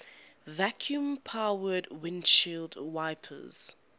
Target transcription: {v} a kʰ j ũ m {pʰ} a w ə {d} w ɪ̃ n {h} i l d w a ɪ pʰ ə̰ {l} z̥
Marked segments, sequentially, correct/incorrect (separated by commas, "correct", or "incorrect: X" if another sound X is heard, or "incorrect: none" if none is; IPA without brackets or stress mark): correct, correct, correct, incorrect: ʃ, incorrect: none